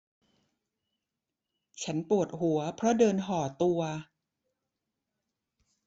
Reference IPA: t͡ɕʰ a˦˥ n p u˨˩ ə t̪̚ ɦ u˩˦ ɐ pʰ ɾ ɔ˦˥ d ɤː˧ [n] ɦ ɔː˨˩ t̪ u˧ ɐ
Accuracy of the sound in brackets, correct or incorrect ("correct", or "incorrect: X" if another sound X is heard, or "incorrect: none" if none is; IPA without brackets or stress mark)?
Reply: correct